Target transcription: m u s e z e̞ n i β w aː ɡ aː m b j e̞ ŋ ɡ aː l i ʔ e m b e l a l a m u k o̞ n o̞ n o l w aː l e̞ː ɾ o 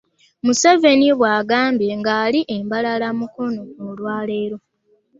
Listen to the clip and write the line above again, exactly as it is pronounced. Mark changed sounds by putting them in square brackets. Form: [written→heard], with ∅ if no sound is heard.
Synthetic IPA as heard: m u s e [z→v] e̞ n i β w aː ɡ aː m b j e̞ ŋ ɡ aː l i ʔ e m b [e→a] l a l a m u k o̞ n o̞ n o l w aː l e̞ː ɾ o